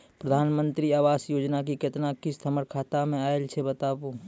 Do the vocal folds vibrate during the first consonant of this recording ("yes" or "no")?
no